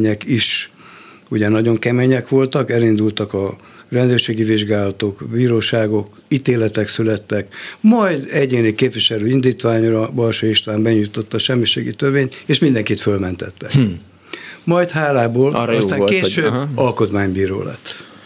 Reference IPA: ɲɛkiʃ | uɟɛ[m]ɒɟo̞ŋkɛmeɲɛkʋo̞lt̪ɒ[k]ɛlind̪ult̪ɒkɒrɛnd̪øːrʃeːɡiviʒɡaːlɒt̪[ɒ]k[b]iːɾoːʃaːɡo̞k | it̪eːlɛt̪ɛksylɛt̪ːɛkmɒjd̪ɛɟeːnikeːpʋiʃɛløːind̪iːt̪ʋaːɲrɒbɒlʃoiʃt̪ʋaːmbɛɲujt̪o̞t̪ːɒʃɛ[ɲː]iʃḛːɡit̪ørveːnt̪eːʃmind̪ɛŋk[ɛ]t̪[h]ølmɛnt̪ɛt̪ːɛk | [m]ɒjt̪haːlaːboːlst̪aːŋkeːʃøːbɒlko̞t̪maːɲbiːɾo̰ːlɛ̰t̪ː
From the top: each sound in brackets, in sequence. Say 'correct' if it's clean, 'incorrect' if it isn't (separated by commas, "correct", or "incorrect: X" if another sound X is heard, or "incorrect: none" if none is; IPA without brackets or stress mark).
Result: incorrect: n, correct, incorrect: o, correct, incorrect: mː, incorrect: i, incorrect: f, correct